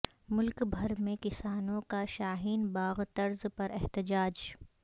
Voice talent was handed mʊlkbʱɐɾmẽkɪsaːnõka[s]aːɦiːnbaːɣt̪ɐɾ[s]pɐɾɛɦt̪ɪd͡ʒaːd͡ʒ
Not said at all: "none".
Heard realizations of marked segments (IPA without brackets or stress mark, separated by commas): ʃ, z